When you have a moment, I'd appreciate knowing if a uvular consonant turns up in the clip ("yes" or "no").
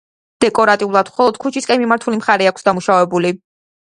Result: yes